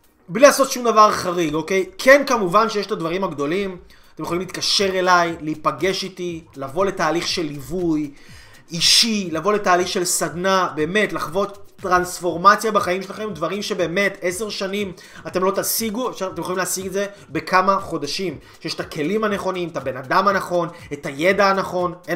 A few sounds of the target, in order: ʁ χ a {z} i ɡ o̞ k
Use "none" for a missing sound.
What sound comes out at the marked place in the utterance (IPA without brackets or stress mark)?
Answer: ʁ